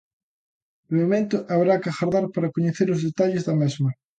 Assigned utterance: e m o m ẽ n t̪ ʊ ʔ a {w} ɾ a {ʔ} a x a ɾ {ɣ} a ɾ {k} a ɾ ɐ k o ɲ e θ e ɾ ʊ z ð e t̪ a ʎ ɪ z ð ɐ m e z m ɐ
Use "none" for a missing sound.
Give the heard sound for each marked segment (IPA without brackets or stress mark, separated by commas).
β, k, ð, p